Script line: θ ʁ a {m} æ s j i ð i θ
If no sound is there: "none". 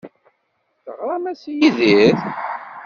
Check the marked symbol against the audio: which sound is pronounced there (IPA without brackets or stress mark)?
m